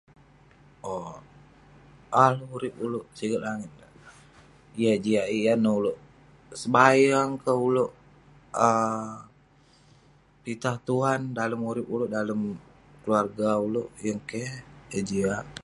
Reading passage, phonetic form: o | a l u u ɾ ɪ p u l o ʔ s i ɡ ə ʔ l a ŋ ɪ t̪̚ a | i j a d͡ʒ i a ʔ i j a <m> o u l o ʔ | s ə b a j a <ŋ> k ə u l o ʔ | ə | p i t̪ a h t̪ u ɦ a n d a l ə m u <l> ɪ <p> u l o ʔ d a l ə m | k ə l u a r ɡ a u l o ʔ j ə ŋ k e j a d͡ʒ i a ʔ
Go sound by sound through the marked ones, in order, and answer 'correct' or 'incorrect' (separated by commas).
incorrect, correct, incorrect, correct